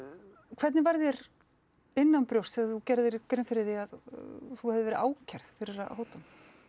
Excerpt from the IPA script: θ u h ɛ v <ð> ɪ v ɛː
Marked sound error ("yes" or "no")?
no